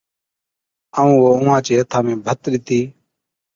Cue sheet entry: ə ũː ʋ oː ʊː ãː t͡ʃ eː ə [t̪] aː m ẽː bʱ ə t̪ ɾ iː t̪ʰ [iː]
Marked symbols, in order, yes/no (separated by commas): no, yes